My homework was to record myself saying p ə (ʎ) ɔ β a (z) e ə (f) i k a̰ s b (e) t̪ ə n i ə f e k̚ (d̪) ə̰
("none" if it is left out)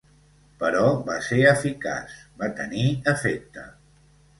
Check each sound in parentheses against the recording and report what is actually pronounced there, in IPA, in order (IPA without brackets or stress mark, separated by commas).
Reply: ɾ, s, f, a, t̪